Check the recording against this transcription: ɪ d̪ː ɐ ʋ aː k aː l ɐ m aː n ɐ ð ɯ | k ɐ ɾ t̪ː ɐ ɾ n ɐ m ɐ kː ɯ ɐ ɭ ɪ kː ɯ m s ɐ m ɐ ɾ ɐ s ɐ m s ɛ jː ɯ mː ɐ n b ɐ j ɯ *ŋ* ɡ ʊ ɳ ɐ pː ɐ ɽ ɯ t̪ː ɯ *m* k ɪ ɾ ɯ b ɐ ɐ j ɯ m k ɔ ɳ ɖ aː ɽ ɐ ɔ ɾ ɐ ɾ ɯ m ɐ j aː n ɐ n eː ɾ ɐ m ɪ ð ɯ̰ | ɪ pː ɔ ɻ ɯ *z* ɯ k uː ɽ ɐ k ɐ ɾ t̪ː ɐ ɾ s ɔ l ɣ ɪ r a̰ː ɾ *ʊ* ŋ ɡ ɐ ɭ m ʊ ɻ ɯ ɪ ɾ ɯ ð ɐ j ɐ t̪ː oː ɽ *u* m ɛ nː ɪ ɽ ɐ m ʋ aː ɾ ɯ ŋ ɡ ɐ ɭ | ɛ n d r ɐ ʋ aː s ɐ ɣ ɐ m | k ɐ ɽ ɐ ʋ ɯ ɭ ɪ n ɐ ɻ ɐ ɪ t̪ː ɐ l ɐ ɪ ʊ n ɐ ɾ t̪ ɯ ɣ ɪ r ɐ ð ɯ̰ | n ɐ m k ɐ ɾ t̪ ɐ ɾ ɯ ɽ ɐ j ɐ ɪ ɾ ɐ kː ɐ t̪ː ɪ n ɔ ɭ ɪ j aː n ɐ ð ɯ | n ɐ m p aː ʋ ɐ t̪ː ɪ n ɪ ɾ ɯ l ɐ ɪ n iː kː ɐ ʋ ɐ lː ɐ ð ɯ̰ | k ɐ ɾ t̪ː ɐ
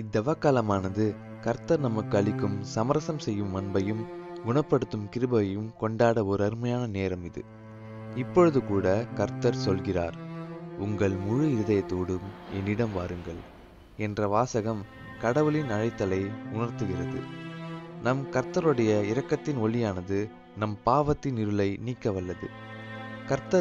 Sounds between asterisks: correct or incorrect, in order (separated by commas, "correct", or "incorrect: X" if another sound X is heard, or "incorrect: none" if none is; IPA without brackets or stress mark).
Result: incorrect: m, correct, incorrect: ð, correct, incorrect: ɯ